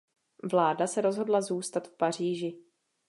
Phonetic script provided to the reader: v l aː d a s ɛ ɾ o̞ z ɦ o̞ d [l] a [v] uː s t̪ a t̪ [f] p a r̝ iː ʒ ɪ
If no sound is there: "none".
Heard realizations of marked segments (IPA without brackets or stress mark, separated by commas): l, z, f